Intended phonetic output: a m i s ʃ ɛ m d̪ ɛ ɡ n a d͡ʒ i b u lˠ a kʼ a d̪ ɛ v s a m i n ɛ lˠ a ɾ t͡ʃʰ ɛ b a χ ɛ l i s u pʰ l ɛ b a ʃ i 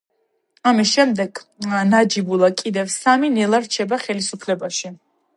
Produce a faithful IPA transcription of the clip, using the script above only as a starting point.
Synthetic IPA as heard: a m i s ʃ ɛ m d̪ ɛ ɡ n a d͡ʒ i b u lˠ a kʼ i d̪ ɛ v s a m i n ɛ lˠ a ɾ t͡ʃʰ ɛ b a χ ɛ l i s u pʰ l ɛ b a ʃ i